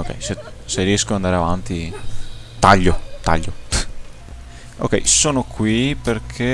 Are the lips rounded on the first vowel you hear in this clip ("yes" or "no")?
yes